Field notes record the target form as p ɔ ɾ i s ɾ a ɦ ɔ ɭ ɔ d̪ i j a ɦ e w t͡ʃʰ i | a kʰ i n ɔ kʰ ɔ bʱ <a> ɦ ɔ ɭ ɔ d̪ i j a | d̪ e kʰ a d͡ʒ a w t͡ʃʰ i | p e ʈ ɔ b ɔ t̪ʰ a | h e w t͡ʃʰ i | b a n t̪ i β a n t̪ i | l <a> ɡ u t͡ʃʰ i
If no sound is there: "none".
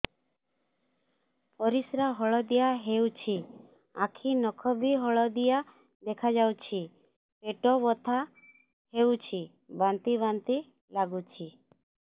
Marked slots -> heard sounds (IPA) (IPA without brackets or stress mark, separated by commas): i, a